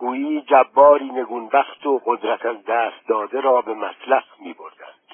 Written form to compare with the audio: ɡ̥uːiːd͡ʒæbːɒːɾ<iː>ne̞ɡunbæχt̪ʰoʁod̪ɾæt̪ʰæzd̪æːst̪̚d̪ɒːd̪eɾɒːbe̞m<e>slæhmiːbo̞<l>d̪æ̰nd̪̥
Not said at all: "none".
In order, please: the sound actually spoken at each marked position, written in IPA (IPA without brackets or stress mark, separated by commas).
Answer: iː, æ, ɾ